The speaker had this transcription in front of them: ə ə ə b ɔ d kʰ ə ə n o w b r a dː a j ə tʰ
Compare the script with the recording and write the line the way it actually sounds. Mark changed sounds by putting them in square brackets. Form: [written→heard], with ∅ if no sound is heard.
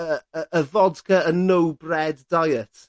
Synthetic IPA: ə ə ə [b→v] ɔ d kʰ ə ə n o w b r [a→ɛ] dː a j ə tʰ